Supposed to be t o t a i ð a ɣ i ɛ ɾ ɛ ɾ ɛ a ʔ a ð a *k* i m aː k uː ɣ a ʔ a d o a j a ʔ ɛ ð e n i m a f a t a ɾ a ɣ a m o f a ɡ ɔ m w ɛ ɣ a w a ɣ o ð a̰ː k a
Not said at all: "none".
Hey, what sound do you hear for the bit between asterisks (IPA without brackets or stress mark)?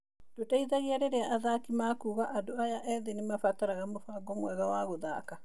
k